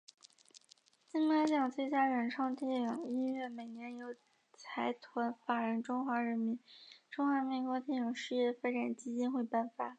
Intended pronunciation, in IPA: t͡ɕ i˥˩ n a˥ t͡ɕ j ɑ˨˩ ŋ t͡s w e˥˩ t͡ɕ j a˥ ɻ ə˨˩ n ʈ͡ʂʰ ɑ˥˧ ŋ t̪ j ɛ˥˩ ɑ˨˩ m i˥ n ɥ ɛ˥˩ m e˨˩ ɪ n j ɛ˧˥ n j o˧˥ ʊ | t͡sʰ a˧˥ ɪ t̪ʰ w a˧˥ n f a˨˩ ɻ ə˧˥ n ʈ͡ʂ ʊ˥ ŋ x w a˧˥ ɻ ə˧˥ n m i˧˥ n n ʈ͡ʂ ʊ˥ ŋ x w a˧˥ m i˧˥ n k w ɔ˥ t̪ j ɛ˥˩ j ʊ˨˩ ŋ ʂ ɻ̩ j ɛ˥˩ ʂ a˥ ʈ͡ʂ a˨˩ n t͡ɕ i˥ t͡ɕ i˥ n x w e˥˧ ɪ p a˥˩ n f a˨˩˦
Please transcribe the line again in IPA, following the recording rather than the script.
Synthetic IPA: t͡ɕ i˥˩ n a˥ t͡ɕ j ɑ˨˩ ŋ t͡s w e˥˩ t͡ɕ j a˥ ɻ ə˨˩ n ʈ͡ʂʰ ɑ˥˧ ŋ t̪ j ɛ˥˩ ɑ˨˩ ŋ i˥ n ɥ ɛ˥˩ m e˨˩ ɪ n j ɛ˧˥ n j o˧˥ ʊ | t͡sʰ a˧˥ ɪ t̪ʰ w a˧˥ n f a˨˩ ɻ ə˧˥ n ʈ͡ʂ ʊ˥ ŋ x w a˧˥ ɻ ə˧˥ n m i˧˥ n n ʈ͡ʂ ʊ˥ ŋ x w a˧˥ m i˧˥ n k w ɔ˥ t̪ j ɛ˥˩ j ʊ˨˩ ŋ ʂ ɻ̩ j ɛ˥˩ f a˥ ʈ͡ʂ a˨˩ n t͡ɕ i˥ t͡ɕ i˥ n x w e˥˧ ɪ p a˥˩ n f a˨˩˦